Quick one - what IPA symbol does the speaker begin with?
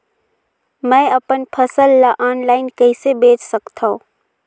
m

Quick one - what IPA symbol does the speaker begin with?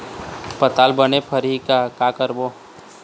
p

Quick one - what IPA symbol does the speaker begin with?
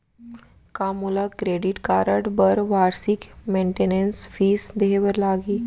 k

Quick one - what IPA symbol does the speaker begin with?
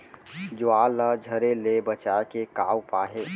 d͡ʒ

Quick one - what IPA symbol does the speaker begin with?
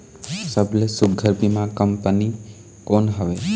s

